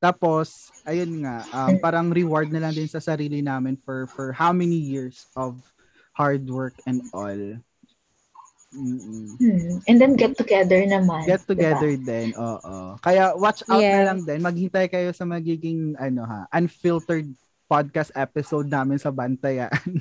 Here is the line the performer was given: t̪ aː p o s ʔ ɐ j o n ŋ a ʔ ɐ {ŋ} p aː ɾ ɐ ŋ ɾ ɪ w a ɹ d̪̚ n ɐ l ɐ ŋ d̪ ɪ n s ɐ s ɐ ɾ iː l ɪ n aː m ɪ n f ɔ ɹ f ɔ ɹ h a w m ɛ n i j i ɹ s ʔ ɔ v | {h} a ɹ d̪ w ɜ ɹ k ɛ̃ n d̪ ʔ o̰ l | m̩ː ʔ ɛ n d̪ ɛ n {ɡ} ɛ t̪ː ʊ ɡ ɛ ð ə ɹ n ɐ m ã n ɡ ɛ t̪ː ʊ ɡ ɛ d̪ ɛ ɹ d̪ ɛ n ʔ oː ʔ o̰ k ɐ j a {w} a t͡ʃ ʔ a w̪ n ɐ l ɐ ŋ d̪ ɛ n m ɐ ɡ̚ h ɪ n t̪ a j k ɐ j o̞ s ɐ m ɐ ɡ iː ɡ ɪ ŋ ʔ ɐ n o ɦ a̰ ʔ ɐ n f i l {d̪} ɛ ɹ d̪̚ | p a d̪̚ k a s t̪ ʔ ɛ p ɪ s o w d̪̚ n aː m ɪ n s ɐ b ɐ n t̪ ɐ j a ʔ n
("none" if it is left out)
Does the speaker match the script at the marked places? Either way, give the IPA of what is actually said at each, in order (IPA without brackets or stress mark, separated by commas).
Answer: m, h, ɡ, w, t̪